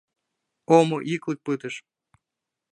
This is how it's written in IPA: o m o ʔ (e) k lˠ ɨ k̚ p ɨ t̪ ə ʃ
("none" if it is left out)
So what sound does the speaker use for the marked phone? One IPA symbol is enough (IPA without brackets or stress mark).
i